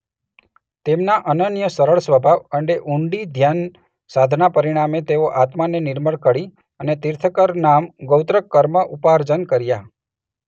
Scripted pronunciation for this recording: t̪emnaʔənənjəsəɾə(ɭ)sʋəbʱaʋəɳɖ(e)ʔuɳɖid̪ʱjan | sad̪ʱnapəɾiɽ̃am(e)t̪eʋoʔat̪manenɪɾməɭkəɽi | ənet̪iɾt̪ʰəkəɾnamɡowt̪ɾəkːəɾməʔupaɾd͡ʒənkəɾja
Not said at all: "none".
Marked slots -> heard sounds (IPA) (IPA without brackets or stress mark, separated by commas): ɭ, e, e